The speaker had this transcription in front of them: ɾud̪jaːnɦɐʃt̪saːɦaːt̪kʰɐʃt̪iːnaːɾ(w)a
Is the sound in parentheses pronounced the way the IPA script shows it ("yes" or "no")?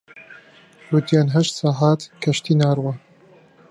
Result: yes